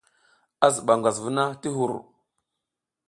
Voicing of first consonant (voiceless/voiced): voiced